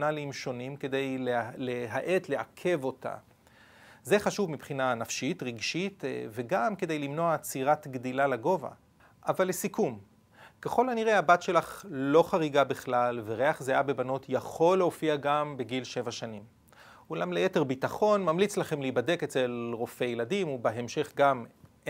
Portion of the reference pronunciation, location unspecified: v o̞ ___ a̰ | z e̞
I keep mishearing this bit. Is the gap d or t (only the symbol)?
t